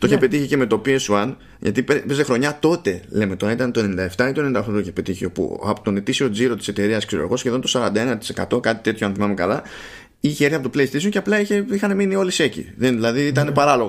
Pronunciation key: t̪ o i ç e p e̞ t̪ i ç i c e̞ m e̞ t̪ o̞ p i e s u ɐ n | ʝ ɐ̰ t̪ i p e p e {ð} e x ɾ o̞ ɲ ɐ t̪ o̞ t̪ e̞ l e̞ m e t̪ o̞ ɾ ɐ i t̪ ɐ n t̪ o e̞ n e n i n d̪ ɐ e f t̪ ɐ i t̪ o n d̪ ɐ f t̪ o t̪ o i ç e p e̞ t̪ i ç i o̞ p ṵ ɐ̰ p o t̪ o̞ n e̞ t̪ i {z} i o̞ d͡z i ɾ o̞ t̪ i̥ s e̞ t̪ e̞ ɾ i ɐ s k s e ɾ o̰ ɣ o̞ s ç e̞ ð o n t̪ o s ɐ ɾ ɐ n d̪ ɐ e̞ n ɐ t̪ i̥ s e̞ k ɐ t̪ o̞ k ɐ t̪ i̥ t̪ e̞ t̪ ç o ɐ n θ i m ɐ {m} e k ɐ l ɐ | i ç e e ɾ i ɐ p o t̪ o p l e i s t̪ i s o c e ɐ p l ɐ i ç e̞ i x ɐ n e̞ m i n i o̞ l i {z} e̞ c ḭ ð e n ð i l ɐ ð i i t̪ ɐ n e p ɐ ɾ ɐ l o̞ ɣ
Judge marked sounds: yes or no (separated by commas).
no, no, yes, no